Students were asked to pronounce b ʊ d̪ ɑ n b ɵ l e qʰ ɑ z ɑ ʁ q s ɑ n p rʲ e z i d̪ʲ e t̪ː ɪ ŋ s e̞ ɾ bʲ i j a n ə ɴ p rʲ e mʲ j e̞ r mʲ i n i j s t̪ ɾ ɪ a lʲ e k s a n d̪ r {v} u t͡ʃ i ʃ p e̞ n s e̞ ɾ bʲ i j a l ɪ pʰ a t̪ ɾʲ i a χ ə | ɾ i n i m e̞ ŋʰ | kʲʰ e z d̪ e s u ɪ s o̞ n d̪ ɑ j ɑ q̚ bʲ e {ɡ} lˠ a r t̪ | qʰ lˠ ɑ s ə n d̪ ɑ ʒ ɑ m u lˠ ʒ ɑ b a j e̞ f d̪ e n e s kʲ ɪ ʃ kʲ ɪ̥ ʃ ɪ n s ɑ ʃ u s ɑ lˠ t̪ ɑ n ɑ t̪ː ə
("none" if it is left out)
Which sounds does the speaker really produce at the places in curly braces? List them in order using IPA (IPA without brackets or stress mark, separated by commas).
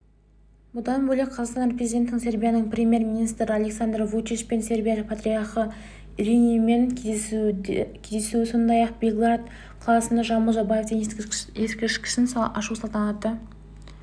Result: v, ɡ